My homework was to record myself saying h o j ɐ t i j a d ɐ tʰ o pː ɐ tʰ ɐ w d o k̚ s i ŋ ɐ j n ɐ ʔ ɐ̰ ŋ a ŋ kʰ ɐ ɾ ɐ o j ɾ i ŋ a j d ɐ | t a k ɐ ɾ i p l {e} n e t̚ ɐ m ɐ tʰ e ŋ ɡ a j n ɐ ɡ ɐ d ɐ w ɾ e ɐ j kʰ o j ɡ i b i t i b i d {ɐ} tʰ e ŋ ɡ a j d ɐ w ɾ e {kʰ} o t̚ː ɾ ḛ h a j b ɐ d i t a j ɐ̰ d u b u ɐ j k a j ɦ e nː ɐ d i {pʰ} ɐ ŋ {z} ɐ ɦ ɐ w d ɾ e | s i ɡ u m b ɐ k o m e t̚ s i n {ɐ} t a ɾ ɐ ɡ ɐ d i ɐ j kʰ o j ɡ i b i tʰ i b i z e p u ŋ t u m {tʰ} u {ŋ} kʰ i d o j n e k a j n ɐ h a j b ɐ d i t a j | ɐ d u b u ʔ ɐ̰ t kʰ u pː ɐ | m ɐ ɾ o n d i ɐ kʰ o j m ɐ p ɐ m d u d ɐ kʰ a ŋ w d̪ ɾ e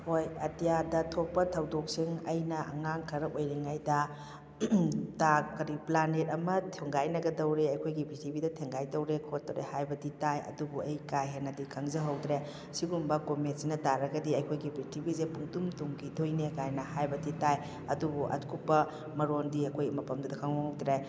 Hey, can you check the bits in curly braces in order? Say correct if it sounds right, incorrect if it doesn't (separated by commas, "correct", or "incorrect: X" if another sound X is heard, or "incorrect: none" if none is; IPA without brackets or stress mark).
incorrect: a, correct, correct, incorrect: kʰ, correct, correct, incorrect: t, correct